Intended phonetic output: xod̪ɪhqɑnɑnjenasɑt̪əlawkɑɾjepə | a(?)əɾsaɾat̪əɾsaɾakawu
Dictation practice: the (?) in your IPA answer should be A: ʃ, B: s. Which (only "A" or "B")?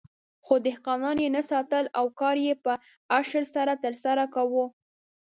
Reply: A